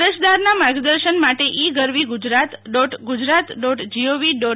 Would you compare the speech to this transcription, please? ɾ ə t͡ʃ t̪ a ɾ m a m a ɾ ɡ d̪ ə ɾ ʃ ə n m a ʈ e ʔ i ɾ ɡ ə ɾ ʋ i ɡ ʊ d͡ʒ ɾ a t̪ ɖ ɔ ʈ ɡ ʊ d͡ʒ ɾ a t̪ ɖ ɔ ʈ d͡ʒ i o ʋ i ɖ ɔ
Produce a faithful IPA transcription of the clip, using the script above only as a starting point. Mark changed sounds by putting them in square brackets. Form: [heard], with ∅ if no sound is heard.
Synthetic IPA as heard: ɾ ə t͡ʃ [d̪] a ɾ [n] a m a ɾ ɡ d̪ ə ɾ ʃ ə n m a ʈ e ʔ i [∅] ɡ ə ɾ ʋ i ɡ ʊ d͡ʒ ɾ a t̪ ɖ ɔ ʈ ɡ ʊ d͡ʒ ɾ a t̪ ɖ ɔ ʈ d͡ʒ i o ʋ i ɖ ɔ